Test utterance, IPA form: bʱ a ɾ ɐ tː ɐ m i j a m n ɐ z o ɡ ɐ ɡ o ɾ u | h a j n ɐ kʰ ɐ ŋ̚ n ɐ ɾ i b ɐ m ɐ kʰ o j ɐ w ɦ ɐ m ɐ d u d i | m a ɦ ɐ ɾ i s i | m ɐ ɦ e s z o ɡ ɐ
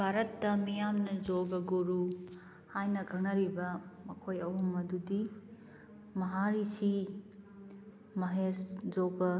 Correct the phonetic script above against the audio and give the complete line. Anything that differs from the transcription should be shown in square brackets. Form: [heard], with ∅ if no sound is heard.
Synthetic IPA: bʱ a ɾ ɐ tː ɐ m i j a m n ɐ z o ɡ ɐ ɡ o ɾ u | h a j n ɐ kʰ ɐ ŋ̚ n ɐ ɾ i b ɐ m ɐ kʰ o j ɐ w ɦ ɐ m ɐ d u d i | m [ɐ] ɦ [a] ɾ i s i | m ɐ ɦ e s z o ɡ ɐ